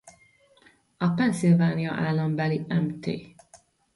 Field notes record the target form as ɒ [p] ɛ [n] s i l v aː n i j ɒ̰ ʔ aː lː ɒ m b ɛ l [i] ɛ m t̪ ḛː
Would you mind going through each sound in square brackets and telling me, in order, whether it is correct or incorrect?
correct, correct, correct

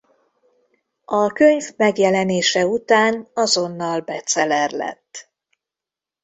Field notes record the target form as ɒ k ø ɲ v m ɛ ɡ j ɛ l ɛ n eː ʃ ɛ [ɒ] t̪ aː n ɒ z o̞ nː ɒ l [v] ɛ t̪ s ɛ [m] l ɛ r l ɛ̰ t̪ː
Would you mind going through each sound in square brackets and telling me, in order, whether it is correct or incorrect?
incorrect, incorrect, incorrect

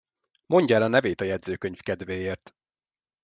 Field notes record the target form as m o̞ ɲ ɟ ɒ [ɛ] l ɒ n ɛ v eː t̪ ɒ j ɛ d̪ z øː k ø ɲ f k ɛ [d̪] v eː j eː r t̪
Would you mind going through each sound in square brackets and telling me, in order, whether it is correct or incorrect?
correct, correct

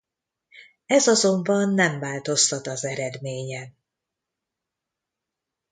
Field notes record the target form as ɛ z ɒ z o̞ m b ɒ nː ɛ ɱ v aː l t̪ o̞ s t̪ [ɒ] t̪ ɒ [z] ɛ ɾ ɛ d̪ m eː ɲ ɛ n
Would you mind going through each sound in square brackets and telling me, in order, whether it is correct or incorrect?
correct, correct

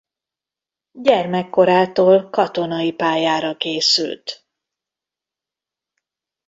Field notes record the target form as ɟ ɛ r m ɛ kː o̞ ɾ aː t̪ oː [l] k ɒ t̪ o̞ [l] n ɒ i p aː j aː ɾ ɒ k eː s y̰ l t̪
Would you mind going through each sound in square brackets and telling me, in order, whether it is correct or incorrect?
correct, incorrect

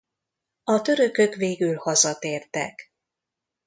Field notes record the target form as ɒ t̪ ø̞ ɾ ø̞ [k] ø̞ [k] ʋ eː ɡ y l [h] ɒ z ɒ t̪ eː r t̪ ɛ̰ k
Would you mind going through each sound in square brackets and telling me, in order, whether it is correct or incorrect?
correct, correct, correct

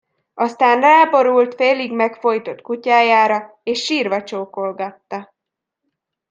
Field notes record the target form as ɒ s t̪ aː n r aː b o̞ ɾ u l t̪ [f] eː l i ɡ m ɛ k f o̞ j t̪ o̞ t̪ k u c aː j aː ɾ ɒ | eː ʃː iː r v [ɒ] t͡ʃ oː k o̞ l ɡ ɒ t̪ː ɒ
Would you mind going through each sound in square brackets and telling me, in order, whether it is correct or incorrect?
correct, correct

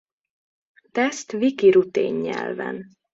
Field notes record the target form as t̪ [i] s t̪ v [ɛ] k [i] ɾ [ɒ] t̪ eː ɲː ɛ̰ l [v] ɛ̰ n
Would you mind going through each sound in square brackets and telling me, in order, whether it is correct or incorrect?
incorrect, incorrect, correct, incorrect, correct

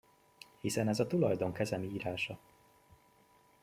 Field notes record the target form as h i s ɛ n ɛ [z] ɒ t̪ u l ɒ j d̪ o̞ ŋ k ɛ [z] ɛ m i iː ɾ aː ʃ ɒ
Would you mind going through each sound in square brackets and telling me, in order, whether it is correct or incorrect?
correct, correct

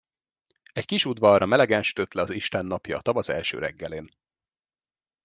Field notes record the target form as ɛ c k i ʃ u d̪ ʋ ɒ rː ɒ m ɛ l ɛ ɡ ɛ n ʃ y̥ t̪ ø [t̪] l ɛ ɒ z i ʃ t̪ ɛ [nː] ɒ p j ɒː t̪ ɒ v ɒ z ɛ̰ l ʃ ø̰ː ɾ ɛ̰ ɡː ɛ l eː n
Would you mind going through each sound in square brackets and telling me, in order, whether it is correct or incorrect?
correct, correct

